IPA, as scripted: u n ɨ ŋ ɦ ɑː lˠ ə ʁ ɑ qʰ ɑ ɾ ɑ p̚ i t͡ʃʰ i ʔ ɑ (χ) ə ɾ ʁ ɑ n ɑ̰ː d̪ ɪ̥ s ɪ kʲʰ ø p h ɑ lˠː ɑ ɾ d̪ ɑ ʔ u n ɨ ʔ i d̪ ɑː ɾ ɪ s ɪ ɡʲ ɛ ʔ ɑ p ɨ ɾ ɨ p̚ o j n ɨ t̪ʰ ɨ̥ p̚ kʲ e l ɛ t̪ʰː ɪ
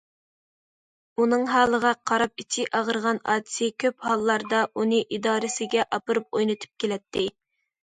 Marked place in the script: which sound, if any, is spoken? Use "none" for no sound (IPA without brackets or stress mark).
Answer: ʁ